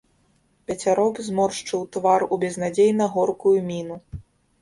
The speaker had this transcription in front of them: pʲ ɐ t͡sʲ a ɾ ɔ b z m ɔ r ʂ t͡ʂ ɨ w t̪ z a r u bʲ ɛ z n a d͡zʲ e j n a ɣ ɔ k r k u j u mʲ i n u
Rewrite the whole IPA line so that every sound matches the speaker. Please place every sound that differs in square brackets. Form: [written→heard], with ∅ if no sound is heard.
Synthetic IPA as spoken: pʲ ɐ t͡sʲ a ɾ ɔ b z m ɔ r ʂ t͡ʂ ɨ w t̪ [z→v] a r u bʲ ɛ z n a d͡zʲ e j n [a→ɐ] ɣ ɔ [k→∅] r k u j u mʲ i n u